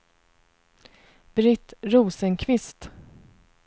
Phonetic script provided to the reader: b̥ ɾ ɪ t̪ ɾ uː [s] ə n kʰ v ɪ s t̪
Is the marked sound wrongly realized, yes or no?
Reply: no